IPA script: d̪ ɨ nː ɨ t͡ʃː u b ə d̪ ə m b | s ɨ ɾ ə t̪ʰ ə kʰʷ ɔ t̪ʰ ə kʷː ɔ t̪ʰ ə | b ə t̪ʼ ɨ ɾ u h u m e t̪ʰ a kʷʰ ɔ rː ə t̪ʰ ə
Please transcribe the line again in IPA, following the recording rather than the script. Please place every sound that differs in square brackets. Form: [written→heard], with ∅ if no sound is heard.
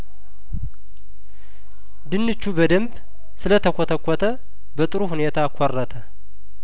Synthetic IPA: d̪ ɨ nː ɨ t͡ʃː u b ə d̪ ə m b | s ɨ [ɾ→l] ə t̪ʰ ə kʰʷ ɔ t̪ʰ ə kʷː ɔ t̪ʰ ə | b ə t̪ʼ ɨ ɾ u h u [m→n] e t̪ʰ a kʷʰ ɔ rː ə t̪ʰ ə